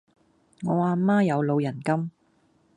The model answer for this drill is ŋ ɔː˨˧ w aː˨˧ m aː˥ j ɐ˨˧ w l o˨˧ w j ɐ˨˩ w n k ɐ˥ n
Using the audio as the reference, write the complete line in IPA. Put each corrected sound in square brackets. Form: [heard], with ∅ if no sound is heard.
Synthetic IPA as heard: ŋ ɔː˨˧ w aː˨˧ m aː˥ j ɐ˨˧ w l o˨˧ w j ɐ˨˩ [∅] n k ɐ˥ [m]